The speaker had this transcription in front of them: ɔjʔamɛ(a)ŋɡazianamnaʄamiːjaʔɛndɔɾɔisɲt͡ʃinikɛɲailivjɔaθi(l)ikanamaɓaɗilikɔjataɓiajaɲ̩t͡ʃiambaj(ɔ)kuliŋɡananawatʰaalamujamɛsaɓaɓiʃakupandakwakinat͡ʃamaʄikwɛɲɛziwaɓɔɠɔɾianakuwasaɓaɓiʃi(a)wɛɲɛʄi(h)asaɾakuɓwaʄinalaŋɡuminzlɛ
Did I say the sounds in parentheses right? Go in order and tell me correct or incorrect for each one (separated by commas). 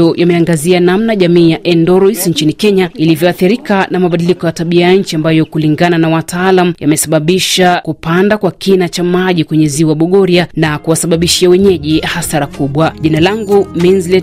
correct, incorrect, correct, correct, correct